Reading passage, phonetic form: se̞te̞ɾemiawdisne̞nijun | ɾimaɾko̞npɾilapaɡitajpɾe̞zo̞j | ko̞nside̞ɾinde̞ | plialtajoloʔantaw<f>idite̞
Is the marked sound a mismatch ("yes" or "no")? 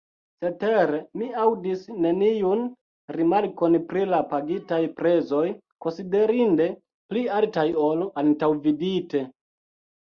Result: yes